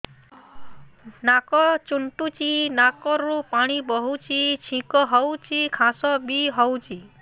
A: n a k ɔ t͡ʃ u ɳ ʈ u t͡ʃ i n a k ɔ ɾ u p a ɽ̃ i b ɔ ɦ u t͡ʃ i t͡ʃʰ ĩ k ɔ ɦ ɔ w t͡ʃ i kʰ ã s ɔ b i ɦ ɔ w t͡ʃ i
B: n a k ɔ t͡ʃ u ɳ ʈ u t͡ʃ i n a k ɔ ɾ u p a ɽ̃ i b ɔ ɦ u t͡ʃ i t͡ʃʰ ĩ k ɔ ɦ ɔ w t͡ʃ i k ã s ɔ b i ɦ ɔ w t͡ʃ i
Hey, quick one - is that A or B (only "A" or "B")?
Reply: A